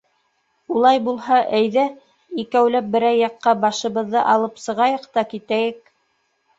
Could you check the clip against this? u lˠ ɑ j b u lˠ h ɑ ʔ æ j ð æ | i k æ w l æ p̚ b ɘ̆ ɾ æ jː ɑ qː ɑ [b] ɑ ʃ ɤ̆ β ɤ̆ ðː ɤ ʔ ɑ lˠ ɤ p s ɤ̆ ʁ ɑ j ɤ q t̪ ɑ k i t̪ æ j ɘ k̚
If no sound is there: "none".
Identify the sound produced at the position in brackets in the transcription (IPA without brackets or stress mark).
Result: b